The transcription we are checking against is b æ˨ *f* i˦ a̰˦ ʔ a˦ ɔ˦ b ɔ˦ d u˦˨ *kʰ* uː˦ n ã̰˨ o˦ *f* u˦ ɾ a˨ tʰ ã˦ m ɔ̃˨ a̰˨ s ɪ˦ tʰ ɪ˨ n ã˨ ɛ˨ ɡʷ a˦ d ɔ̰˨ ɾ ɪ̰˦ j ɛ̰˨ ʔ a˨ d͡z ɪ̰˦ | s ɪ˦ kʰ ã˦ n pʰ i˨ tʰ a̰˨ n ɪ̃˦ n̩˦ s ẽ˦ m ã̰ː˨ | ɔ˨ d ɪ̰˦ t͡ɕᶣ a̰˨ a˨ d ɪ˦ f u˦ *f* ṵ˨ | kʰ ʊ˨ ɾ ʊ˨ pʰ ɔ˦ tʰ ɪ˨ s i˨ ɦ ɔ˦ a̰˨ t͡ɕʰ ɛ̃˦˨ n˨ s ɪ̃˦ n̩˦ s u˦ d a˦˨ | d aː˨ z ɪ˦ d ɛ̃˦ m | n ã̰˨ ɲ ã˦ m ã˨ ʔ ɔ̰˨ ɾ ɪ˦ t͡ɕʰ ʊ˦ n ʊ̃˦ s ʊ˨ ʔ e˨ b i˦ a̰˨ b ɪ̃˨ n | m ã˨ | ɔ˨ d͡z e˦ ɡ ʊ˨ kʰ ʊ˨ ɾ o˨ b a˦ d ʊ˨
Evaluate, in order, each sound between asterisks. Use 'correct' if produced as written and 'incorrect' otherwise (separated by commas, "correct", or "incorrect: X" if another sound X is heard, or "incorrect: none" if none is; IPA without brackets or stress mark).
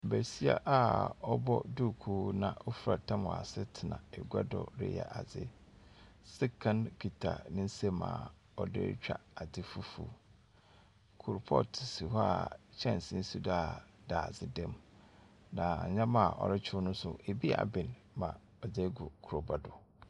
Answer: incorrect: s, correct, correct, correct